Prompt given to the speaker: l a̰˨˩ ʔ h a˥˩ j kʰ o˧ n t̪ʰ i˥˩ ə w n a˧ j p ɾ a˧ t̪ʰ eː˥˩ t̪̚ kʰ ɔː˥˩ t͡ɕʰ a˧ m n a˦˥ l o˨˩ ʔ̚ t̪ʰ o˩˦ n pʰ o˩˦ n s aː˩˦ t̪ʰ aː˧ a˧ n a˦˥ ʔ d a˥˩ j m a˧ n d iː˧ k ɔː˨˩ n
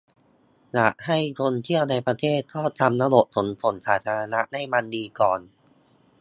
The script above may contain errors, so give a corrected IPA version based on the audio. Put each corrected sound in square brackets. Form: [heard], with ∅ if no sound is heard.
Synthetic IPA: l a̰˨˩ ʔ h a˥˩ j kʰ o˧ n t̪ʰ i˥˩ ə w n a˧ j p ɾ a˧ t̪ʰ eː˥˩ t̪̚ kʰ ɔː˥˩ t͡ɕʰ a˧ m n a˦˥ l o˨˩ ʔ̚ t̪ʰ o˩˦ n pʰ o˩˦ n s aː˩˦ t̪ʰ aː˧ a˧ n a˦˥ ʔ d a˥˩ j m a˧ n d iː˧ k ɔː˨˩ n